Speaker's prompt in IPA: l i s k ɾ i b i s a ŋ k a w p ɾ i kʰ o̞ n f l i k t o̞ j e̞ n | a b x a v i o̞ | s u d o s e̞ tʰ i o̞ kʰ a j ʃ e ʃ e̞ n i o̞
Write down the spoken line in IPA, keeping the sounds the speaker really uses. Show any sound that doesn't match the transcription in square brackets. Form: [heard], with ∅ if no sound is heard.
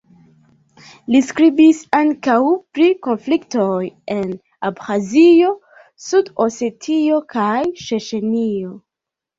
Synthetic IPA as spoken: l i s k ɾ i b i s a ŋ k a w p ɾ i [k] o̞ n f l i k t o̞ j e̞ n | a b x a [z] i o̞ | s u d o s e̞ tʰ i o̞ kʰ a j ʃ e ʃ e̞ n i o̞